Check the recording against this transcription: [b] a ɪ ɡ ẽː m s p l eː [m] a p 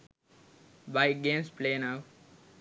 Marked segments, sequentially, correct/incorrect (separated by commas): correct, incorrect